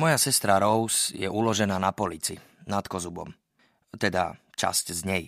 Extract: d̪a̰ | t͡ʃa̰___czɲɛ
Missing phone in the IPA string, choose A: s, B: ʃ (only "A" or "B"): A